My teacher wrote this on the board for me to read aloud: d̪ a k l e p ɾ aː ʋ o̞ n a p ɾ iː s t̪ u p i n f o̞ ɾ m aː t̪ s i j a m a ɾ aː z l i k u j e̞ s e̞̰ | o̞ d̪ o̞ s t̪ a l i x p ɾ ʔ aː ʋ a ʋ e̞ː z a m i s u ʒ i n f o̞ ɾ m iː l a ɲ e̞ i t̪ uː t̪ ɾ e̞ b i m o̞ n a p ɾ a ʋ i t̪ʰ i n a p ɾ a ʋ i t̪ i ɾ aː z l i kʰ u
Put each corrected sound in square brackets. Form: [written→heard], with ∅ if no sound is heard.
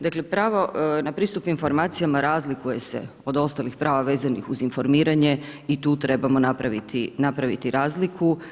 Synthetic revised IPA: d̪ a k l e p ɾ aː ʋ o̞ n a p ɾ iː s t̪ u p i n f o̞ ɾ m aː t̪ s i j a m a ɾ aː z l i k u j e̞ s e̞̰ | o̞ d̪ o̞ s t̪ a l i x p ɾ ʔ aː ʋ a ʋ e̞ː z a [m→n] i [s→x] u [ʒ→z] i n f o̞ ɾ m iː [l→ɾ] a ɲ e̞ i t̪ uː t̪ ɾ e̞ b [i→a] m o̞ n a p ɾ a ʋ i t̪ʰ i n a p ɾ a ʋ i t̪ i ɾ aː z l i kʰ u